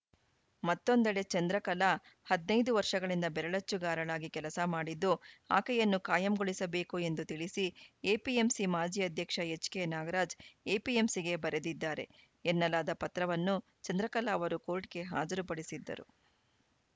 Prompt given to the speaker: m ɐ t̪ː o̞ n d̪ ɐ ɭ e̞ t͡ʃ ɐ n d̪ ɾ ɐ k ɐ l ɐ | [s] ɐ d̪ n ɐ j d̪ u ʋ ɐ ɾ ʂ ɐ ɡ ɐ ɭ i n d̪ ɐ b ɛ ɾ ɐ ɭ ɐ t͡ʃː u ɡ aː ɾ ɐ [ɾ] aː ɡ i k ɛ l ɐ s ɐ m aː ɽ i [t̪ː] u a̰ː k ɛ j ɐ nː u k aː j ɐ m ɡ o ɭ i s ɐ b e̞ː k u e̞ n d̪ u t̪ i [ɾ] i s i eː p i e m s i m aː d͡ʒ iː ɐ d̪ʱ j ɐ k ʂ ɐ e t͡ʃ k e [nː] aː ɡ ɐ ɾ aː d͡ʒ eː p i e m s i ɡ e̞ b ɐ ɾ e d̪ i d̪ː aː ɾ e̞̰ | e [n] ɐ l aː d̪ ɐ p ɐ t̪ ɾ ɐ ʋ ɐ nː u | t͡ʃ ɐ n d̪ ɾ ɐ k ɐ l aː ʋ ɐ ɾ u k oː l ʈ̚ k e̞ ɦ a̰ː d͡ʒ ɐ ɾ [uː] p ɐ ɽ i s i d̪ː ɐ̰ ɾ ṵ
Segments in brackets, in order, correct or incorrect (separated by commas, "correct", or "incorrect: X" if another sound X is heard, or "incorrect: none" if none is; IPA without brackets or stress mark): incorrect: h, incorrect: ɭ, incorrect: d̪ː, incorrect: ɭ, incorrect: n, incorrect: nː, incorrect: u